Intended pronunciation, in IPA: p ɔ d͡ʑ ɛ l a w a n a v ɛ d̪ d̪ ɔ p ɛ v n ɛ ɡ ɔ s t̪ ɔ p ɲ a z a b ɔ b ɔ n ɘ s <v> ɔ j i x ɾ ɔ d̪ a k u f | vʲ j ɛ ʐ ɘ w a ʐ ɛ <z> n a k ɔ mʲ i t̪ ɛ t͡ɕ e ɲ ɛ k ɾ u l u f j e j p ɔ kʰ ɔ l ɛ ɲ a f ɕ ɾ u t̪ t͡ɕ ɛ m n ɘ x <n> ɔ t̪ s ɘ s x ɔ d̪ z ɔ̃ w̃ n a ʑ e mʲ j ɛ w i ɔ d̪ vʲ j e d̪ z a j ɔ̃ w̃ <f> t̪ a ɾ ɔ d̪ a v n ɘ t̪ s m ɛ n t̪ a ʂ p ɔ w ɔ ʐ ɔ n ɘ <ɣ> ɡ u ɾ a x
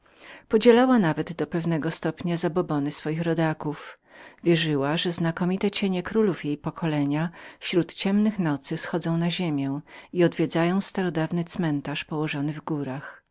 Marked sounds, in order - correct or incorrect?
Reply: incorrect: f, correct, correct, incorrect: s, incorrect: v

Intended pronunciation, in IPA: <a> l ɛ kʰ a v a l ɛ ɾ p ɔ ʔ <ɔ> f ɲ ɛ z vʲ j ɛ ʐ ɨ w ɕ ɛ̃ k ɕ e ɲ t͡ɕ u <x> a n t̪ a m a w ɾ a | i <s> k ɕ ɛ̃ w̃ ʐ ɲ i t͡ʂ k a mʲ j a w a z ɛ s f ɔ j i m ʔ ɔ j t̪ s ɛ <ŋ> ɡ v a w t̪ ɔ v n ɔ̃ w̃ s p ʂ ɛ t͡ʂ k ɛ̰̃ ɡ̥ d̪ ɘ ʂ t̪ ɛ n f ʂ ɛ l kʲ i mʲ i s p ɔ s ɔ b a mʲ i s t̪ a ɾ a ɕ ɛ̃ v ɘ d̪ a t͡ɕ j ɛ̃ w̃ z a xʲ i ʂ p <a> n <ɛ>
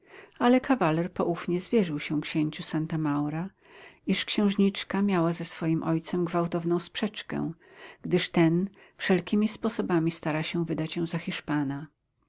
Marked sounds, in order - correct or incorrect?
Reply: correct, incorrect: u, incorrect: s, incorrect: ʂ, incorrect: m, correct, incorrect: a

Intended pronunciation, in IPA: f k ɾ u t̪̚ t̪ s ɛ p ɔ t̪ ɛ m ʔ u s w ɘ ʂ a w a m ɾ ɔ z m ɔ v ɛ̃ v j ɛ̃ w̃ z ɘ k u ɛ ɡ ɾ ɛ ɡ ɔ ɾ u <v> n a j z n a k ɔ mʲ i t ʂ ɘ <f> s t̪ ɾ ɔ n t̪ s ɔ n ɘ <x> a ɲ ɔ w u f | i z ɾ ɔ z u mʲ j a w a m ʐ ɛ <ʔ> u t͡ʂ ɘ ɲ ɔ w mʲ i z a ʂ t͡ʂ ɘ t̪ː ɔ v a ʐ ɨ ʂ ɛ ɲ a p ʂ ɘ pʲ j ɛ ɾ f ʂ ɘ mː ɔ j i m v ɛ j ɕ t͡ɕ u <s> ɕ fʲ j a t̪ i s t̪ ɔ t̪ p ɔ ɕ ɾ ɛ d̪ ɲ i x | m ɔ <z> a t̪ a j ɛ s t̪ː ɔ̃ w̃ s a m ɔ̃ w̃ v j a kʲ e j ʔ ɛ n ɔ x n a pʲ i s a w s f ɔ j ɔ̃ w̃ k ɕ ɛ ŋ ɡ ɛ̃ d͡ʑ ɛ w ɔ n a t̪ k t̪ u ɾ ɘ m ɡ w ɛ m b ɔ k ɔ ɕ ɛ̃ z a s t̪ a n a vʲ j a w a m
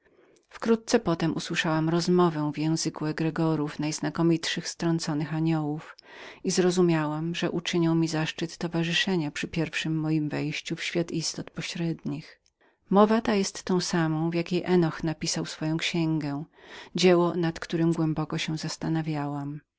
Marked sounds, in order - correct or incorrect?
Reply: incorrect: f, incorrect: x, correct, correct, incorrect: f, incorrect: v

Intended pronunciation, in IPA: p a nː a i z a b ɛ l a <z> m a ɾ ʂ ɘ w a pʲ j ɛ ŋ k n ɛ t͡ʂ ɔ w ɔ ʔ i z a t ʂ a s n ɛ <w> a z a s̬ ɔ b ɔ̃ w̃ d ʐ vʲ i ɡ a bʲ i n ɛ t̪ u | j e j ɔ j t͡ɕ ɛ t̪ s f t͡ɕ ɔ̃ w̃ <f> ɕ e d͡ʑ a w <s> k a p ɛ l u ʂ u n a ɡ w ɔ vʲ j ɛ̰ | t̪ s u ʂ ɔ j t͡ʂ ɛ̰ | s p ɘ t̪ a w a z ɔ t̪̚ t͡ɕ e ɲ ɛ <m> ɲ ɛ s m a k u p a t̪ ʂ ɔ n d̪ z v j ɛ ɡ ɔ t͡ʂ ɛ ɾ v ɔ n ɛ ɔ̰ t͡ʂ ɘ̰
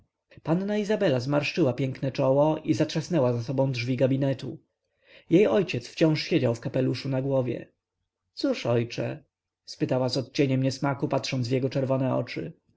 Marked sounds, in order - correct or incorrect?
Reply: correct, correct, incorrect: ʂ, incorrect: f, correct

